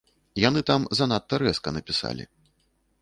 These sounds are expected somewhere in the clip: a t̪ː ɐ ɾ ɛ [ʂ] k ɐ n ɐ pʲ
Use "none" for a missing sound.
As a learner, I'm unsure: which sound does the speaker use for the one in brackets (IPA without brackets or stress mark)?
s